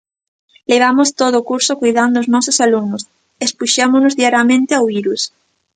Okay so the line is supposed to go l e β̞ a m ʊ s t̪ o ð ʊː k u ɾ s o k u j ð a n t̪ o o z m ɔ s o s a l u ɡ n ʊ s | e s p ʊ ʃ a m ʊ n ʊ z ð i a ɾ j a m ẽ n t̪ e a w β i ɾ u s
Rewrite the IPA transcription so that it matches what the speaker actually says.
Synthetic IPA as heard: l e β̞ a m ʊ s t̪ o ð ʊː k u ɾ s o k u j ð a n d̪ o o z n ɔ s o s a l u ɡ n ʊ s | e s p u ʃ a m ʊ n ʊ z ð i a ɾ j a m ẽ n t̪ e a w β i ɾ u s